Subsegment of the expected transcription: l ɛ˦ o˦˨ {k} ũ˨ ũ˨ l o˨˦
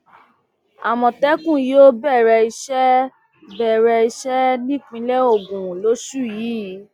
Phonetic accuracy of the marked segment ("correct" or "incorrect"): incorrect